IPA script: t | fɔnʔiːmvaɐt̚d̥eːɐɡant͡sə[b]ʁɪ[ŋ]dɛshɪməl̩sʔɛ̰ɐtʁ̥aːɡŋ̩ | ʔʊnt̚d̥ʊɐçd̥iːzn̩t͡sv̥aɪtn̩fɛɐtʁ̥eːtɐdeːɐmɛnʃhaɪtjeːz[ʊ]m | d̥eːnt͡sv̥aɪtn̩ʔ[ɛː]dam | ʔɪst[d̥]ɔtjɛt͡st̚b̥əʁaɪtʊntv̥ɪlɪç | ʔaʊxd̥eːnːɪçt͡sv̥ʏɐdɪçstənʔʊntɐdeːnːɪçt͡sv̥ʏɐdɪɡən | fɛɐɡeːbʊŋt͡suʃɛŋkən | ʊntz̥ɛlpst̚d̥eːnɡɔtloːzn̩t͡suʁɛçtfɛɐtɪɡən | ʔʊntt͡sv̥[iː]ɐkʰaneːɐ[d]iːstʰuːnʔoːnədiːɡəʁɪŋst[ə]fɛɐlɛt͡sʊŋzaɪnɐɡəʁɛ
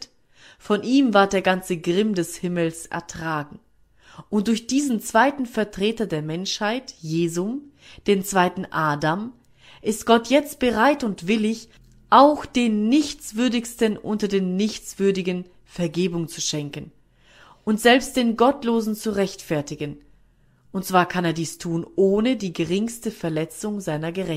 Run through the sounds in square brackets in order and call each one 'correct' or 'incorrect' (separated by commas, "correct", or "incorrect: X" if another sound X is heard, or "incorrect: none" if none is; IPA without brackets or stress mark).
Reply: incorrect: ɡ, incorrect: m, correct, incorrect: aː, incorrect: ɡ̥, incorrect: aː, correct, correct